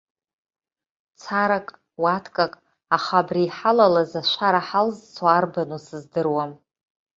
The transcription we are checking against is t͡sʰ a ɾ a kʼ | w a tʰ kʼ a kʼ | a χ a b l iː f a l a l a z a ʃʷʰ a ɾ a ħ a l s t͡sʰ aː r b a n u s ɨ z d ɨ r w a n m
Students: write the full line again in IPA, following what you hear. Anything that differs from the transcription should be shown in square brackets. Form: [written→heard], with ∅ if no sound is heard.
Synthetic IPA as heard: t͡sʰ a ɾ a kʼ | w a tʰ kʼ a kʼ | a χ a b [l→r] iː [f→ħ] a l a l a z a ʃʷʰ a ɾ a ħ a l [s→z] t͡sʰ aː r b a n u s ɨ z d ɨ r w a [n→∅] m